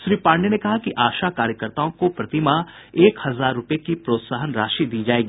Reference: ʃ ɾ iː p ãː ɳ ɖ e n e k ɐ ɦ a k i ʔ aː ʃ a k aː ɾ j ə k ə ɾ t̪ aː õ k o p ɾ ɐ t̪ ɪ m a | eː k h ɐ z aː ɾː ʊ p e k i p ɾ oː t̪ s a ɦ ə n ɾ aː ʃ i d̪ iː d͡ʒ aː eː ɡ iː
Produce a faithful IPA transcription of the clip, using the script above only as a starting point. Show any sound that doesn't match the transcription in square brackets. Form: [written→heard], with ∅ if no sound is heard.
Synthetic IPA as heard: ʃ ɾ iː p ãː ɳ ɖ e n e k ɐ ɦ a k i ʔ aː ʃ a k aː ɾ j ə k ə ɾ t̪ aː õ k o p ɾ ɐ t̪ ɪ m a | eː k h ɐ z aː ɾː ʊ p e k i p ɾ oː t̪ s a ɦ ə n ɾ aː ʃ i d̪ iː d͡ʒ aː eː ɡ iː